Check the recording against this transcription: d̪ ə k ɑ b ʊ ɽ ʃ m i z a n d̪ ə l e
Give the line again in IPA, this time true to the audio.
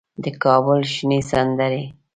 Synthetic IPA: d̪ ə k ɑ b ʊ l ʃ n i s a n d̪ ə ɾ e